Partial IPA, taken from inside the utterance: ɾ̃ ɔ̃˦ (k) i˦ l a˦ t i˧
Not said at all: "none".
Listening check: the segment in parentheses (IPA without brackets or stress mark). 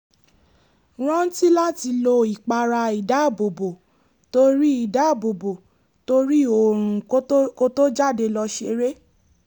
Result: t